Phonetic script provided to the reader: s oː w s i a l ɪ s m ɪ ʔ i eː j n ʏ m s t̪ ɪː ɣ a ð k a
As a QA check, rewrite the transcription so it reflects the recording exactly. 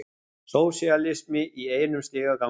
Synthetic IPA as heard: s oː w s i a l ɪ s m ɪ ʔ i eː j n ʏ m s t̪ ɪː ɣ a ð k a